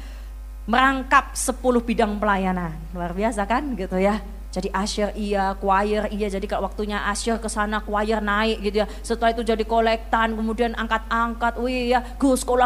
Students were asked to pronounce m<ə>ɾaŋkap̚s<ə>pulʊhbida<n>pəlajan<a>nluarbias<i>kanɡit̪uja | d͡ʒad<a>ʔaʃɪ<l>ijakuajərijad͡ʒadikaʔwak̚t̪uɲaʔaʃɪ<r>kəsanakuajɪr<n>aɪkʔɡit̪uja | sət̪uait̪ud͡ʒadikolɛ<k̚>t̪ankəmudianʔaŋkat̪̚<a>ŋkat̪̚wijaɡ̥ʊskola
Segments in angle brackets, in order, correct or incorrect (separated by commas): correct, correct, incorrect, correct, incorrect, incorrect, incorrect, correct, correct, correct, correct